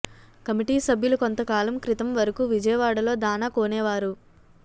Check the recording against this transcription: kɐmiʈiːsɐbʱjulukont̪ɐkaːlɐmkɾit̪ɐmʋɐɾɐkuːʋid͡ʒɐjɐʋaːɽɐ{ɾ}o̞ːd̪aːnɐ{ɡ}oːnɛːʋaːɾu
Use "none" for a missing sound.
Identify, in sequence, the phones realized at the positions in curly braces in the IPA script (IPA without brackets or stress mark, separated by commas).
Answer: l, k